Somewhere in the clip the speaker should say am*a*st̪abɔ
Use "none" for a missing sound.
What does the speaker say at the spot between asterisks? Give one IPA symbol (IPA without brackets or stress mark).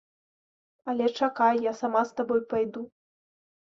a